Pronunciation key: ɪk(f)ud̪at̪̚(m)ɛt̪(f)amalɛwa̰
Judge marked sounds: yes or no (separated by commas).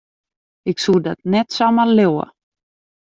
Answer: no, no, no